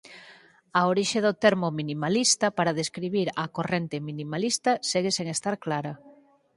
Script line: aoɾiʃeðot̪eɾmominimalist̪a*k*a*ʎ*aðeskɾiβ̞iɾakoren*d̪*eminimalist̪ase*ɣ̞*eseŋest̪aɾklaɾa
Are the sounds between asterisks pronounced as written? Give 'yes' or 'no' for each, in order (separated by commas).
no, no, no, yes